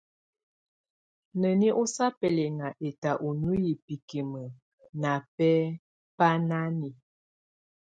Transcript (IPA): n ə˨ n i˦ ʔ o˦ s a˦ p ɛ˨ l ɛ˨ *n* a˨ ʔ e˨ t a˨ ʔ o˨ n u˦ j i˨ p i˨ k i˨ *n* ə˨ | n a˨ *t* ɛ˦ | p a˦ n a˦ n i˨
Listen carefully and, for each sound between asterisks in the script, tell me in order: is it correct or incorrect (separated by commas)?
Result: incorrect, incorrect, incorrect